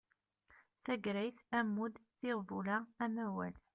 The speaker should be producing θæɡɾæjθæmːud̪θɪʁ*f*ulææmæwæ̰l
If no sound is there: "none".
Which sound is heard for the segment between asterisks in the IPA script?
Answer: v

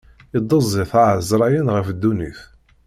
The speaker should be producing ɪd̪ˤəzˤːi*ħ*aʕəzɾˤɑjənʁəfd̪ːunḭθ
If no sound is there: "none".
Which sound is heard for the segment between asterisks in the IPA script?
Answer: θ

